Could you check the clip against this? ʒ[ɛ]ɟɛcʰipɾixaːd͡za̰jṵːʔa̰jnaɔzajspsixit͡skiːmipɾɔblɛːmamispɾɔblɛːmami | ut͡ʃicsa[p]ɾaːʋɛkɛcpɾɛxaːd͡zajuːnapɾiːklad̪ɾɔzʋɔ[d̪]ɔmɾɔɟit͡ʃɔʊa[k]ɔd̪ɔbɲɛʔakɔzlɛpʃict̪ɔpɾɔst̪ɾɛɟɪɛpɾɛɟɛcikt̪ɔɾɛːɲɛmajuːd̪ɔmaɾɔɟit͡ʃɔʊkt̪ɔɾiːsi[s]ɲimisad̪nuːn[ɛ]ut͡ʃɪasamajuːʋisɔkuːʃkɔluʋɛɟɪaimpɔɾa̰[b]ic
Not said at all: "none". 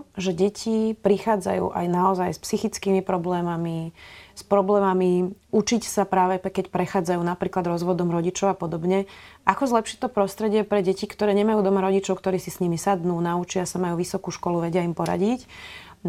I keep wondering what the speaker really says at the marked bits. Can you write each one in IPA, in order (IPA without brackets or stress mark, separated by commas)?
ɛ, p, d̪, p, s, a, ɟ